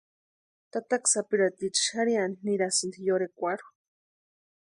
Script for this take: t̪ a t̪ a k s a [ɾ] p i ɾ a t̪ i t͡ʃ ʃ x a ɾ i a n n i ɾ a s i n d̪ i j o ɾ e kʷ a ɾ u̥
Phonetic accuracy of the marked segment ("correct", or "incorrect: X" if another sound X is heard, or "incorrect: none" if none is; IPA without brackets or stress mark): incorrect: none